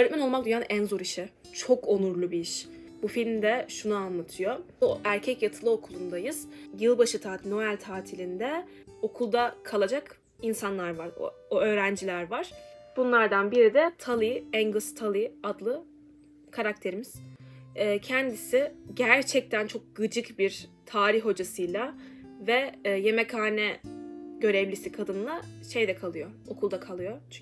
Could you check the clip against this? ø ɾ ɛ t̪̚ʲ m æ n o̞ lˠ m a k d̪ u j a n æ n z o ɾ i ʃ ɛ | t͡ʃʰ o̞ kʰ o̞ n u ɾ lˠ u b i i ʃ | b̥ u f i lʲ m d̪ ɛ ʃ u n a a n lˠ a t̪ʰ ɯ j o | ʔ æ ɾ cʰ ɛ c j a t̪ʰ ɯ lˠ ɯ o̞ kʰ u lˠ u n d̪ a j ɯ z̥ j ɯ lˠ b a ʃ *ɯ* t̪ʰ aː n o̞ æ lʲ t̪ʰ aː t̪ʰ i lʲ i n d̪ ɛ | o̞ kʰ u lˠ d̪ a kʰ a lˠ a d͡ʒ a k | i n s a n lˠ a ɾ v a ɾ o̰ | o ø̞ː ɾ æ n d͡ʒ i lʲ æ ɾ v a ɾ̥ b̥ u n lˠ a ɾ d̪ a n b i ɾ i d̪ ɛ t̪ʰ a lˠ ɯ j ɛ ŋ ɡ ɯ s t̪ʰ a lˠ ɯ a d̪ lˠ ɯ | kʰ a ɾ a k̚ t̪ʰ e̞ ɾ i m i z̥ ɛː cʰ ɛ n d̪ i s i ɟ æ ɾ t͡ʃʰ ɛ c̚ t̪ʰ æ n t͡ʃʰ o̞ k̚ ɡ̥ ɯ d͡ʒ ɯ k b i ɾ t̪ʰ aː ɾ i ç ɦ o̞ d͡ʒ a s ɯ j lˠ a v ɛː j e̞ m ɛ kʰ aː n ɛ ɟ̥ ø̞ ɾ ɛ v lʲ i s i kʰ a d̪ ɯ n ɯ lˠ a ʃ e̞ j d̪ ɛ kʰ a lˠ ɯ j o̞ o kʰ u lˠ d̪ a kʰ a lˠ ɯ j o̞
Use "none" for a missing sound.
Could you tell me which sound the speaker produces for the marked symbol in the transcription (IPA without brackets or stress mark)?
ɯ